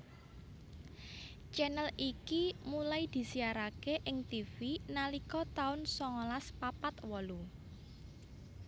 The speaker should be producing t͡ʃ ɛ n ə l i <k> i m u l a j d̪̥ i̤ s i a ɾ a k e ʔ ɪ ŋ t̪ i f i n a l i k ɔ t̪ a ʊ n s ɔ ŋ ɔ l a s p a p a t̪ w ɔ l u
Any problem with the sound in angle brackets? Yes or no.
no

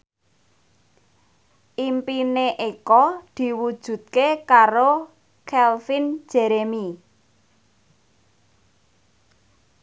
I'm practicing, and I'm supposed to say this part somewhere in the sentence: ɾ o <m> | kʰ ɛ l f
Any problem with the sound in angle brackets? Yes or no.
yes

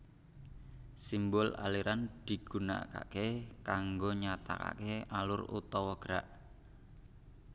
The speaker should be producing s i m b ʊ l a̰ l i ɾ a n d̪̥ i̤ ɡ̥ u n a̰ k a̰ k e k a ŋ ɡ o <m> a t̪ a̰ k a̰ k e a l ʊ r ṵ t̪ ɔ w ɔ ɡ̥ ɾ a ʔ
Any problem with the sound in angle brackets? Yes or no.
yes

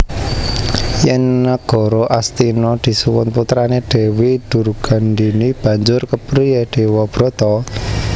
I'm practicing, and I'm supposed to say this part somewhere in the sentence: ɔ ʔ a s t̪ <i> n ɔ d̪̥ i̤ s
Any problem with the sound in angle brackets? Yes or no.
no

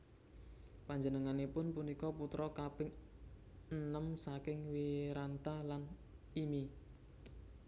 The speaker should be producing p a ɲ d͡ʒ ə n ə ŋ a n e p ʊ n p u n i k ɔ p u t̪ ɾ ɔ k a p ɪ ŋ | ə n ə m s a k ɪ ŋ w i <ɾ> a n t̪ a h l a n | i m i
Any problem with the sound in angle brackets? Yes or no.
no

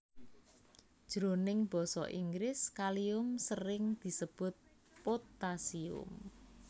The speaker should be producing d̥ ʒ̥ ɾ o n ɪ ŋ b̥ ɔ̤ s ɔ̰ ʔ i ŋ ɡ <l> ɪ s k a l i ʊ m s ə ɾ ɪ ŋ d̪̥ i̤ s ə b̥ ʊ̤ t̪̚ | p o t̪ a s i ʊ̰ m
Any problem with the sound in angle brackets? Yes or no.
yes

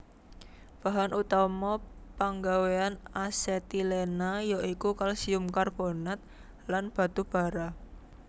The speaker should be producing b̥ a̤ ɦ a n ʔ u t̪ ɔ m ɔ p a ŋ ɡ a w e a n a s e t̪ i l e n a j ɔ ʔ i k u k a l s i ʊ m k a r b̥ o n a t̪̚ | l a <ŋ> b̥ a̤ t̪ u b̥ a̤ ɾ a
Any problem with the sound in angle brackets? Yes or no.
yes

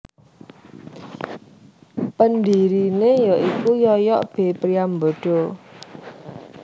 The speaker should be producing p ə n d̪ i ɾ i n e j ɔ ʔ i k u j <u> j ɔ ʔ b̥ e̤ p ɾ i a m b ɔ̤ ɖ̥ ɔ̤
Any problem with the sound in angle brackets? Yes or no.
yes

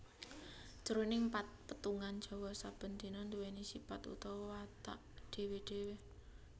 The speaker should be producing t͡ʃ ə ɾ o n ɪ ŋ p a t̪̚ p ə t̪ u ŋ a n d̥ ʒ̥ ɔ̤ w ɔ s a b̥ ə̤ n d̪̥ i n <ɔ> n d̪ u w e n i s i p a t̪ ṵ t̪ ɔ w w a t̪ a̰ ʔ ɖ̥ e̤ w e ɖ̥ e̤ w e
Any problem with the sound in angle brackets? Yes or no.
no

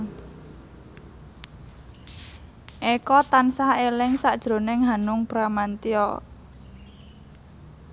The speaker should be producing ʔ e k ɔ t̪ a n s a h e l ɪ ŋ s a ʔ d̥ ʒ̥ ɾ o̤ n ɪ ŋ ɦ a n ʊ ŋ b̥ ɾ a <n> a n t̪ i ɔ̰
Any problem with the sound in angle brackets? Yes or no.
yes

